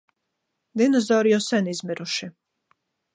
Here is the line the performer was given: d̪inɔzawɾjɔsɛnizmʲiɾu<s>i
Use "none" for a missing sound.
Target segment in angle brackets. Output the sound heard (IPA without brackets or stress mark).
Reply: ʃ